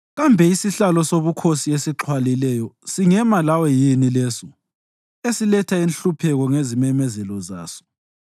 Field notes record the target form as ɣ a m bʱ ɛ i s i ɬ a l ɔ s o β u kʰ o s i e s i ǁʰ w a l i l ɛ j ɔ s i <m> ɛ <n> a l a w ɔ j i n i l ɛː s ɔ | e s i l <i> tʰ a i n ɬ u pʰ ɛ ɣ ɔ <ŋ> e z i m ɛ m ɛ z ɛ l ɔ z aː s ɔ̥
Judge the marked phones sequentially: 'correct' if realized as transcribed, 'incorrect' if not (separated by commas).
incorrect, incorrect, incorrect, correct